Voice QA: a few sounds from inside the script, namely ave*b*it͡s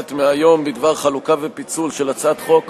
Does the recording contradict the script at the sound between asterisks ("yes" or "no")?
yes